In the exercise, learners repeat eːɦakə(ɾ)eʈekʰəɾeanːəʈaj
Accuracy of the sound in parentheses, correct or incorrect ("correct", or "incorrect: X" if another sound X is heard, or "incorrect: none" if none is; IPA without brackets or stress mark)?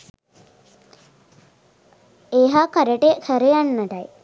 correct